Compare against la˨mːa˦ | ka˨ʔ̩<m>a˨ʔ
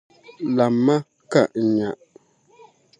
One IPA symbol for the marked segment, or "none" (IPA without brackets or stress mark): ɲ